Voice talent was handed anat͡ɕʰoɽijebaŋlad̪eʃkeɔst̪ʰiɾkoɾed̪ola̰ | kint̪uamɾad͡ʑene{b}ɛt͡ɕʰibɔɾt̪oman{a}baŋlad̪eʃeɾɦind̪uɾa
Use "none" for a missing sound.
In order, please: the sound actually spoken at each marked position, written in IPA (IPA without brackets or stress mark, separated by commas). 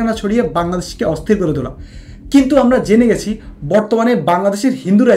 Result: ɡ, e